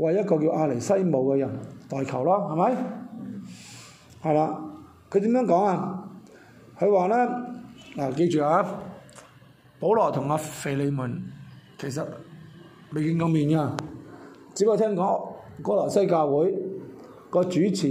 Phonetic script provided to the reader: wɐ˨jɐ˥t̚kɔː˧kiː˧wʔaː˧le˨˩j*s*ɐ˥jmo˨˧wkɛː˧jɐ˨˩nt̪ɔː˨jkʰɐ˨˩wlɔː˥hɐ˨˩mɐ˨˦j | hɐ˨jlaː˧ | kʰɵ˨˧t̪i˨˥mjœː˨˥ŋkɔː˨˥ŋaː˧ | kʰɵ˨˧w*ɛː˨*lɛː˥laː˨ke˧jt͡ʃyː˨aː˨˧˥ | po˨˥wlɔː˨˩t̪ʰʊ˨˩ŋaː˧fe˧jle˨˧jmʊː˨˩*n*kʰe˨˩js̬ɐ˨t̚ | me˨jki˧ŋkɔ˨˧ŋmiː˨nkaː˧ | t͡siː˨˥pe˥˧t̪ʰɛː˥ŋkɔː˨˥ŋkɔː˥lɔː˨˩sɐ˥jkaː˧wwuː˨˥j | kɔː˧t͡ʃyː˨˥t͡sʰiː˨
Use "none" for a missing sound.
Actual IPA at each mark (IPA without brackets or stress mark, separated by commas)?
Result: s, aː˨, n